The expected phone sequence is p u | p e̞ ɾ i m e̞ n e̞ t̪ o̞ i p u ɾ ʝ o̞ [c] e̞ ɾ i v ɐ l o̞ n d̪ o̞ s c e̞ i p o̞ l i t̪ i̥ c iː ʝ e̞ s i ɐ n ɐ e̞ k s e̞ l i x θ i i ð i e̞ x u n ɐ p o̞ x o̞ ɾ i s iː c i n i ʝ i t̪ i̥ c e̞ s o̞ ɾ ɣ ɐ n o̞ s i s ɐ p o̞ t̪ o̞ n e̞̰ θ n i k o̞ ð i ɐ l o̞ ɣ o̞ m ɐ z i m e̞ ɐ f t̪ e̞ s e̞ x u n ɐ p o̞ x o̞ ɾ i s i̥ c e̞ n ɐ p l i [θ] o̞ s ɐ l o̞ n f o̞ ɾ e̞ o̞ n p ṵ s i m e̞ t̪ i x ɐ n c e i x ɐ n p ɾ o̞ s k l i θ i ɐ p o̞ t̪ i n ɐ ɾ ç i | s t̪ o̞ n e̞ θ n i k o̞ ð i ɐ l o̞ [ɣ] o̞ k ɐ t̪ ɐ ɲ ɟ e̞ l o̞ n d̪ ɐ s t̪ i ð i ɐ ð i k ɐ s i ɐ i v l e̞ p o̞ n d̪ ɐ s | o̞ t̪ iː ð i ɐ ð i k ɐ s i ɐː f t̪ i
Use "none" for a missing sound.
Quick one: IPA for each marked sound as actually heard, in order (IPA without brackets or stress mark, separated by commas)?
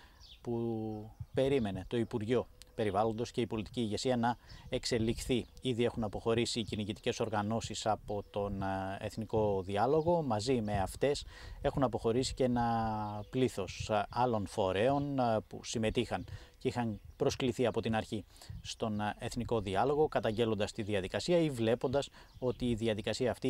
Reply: p, θ, ɣ